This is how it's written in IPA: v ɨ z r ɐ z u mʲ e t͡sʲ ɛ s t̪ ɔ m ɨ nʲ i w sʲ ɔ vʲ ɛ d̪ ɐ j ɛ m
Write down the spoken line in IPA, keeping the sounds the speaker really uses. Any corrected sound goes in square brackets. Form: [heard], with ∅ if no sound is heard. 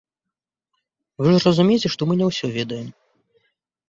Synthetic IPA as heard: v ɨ [ʐ] r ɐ z u mʲ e t͡sʲ ɛ [ʂ] t̪ ɔ m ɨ nʲ [ɛ] w sʲ ɔ vʲ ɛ d̪ ɐ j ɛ m